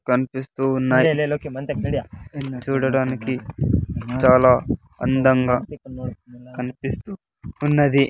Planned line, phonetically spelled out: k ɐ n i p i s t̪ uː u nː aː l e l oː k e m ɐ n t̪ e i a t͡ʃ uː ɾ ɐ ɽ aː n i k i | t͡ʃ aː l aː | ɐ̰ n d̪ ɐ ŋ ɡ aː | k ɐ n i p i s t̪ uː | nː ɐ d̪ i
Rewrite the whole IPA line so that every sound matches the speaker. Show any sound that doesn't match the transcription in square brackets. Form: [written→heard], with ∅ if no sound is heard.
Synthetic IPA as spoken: k ɐ n i p i s t̪ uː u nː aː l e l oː k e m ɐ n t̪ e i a t͡ʃ uː [ɾ→ɽ] ɐ ɽ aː n i k i | t͡ʃ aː l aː | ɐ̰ n d̪ ɐ ŋ ɡ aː | k ɐ n i p i s t̪ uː | nː ɐ d̪ i